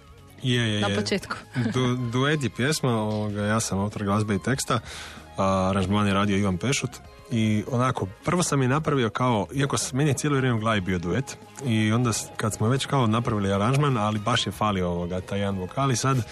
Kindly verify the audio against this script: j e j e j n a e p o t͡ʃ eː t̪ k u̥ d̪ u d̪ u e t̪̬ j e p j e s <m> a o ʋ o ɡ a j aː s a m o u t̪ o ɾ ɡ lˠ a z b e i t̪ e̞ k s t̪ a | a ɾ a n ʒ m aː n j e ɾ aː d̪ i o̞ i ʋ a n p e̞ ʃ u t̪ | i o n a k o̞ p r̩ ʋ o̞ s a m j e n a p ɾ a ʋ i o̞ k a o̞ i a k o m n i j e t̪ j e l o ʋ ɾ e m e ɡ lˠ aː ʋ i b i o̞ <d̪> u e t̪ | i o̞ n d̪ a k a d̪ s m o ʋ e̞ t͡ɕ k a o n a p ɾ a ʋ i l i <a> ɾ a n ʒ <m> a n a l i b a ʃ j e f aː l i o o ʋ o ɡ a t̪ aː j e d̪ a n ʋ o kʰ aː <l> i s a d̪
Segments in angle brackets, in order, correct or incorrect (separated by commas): correct, correct, correct, correct, correct